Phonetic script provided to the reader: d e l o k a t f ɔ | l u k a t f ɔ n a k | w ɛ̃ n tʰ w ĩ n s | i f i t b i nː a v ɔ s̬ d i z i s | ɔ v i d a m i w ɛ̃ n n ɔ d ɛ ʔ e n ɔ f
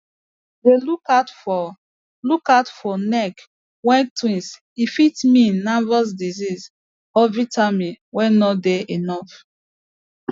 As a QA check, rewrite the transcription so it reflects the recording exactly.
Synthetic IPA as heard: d e l u k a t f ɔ | l u k a t f ɔ n ɛ k | w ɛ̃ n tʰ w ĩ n s | i f i t m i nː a v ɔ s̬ d i z i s | ɔ v i t a m i w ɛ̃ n n ɔ d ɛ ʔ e n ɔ f